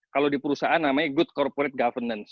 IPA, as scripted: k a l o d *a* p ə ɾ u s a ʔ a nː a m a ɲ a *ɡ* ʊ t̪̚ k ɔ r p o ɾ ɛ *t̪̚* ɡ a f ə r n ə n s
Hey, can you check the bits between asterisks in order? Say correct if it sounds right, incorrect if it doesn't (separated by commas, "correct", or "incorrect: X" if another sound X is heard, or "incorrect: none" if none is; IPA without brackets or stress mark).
incorrect: i, correct, correct